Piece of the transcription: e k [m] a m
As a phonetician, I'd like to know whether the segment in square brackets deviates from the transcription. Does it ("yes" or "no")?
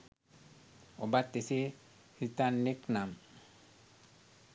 yes